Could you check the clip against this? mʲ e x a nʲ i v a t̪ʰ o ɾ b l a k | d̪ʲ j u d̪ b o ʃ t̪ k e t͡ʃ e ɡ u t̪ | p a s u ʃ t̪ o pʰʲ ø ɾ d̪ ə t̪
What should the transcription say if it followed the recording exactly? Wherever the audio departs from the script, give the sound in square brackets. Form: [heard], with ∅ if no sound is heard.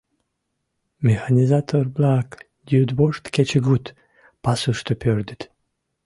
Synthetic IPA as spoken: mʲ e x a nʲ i [z] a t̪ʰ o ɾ b l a k | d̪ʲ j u d̪ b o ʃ t̪ k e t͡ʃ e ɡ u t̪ | p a s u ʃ t̪ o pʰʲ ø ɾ d̪ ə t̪